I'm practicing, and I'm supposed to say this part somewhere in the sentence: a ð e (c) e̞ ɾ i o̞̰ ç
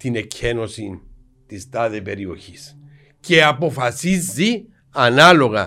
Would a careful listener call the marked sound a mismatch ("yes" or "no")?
yes